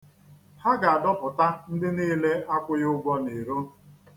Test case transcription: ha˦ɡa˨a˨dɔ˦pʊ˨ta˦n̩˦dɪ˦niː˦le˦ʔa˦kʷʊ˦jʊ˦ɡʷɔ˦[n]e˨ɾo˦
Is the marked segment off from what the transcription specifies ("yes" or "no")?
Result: no